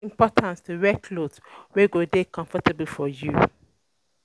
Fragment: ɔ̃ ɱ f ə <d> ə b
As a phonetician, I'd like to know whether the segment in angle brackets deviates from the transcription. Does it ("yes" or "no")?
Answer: yes